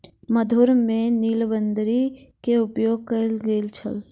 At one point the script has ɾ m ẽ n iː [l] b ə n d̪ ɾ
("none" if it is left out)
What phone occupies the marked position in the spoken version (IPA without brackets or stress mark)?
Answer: l